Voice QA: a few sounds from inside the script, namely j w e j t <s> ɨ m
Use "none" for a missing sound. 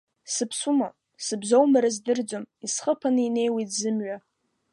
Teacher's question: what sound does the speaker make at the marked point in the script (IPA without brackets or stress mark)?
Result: z